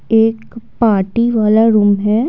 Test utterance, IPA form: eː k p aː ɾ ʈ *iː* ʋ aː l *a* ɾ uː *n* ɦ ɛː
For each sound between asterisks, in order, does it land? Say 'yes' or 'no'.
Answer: no, yes, no

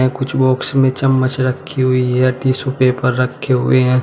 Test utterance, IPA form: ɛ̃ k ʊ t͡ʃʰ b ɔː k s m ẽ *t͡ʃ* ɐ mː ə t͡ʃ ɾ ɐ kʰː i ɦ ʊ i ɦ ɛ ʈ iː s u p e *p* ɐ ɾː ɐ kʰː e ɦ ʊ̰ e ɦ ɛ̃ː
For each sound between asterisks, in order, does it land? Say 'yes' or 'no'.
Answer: yes, yes

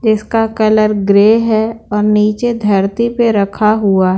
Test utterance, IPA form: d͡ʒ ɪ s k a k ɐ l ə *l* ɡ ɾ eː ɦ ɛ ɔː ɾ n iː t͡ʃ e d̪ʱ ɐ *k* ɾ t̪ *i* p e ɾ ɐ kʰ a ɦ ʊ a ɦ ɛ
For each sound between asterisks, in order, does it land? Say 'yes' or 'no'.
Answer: no, no, yes

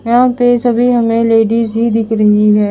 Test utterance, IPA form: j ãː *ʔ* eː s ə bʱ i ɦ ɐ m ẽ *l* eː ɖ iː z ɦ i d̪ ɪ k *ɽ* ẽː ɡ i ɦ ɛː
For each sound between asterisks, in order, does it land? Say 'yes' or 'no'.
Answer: no, yes, no

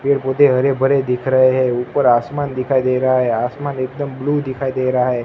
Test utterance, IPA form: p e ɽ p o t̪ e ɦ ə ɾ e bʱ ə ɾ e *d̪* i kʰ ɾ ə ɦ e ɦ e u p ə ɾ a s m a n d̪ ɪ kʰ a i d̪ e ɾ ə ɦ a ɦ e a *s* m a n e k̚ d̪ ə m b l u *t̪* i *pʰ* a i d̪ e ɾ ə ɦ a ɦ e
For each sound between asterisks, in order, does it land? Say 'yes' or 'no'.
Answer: yes, yes, no, no

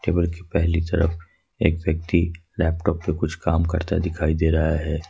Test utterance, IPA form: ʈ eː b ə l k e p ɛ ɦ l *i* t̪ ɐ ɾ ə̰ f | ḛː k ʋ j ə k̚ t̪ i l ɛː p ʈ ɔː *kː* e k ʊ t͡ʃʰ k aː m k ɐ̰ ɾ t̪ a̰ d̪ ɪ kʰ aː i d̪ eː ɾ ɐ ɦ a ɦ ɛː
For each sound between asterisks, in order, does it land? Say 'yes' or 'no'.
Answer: yes, no

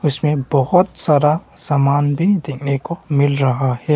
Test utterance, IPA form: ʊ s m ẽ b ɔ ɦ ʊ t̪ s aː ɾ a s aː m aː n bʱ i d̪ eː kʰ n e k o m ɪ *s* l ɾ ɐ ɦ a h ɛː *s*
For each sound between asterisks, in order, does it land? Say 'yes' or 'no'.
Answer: no, no

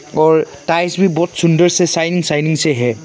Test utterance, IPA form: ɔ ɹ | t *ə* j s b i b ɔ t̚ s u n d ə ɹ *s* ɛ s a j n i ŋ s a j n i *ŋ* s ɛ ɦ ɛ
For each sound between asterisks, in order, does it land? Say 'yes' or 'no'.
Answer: no, yes, yes

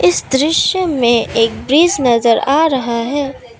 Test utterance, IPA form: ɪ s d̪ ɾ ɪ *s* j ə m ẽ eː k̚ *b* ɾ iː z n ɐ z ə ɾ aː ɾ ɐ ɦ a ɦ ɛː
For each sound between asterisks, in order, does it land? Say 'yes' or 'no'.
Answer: no, yes

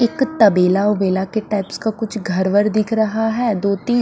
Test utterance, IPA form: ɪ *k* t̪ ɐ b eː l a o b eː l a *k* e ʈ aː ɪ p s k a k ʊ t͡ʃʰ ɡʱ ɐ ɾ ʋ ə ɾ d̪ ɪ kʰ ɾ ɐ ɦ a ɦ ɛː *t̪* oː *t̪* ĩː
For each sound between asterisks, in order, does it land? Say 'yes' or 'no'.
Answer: yes, yes, no, yes

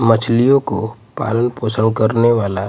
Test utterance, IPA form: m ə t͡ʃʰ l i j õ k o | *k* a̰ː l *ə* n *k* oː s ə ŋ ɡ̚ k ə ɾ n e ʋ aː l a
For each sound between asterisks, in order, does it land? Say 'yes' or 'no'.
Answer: no, yes, no

